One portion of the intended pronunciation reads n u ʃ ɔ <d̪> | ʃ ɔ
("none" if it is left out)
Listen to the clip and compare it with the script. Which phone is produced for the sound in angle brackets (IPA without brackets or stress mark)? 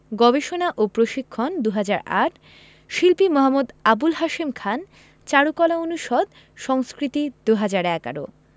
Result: d̪